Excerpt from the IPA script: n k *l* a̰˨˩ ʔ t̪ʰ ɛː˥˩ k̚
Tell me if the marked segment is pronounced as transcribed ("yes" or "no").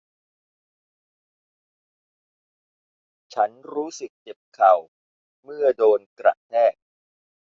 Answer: no